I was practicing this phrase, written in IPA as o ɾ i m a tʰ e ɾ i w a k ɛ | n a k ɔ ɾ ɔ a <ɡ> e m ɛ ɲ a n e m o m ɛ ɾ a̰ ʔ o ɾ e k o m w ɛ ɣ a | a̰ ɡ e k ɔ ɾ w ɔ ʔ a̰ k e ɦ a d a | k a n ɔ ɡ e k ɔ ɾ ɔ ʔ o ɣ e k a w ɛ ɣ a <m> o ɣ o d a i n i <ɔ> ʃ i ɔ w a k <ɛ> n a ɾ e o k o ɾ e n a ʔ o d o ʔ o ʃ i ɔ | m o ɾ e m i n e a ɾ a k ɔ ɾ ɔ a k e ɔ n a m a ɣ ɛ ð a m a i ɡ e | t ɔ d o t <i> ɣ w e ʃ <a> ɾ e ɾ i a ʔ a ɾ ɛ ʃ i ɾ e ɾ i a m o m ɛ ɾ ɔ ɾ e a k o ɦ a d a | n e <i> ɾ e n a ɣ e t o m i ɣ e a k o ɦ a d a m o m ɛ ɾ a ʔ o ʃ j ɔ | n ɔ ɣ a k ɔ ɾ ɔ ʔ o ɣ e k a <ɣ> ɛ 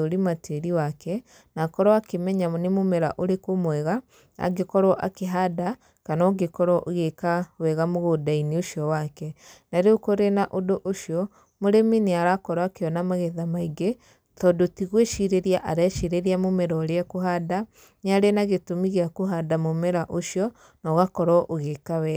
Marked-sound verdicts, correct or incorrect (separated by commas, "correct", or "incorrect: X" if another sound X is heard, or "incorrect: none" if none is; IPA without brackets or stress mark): incorrect: k, correct, incorrect: o, correct, correct, incorrect: i, incorrect: a, incorrect: w